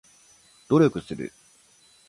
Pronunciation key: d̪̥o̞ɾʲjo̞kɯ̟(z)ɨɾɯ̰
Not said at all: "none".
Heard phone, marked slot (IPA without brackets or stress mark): s